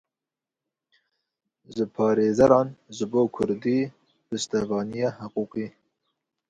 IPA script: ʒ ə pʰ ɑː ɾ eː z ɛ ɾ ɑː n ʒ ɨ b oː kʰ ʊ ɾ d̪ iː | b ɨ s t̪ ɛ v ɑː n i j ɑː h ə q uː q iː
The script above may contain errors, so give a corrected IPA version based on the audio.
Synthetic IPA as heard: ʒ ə pʰ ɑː ɾ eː z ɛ ɾ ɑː n ʒ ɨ b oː kʰ ʊ ɾ d̪ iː | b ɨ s t̪ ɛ v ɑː n i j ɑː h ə q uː q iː